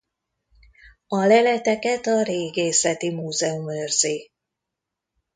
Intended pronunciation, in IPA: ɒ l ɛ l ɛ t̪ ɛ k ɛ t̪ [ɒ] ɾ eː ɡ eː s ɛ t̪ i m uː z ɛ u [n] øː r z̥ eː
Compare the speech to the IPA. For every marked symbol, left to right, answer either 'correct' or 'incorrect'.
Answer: correct, incorrect

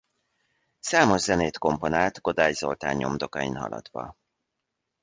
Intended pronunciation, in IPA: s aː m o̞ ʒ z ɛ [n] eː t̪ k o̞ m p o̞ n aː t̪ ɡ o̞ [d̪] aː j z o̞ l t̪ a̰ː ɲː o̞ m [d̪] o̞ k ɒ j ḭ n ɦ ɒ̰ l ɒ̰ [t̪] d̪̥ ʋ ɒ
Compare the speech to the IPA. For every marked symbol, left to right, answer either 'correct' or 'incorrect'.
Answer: correct, correct, correct, incorrect

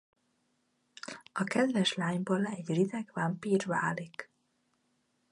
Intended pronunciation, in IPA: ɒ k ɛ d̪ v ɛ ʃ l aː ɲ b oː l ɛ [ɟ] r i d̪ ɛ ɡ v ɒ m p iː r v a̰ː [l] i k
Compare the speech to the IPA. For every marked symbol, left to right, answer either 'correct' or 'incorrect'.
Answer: correct, correct

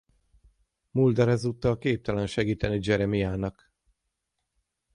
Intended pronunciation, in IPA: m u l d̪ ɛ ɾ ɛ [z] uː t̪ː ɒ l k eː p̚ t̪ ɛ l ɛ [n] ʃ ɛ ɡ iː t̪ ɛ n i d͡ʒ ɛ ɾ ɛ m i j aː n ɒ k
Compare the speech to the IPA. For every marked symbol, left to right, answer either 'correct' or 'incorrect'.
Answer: correct, correct

